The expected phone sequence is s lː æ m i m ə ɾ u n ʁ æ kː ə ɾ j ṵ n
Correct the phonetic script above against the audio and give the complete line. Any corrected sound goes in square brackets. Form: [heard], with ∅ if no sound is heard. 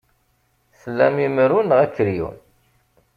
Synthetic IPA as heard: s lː æ m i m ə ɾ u n ʁ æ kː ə ɾ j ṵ n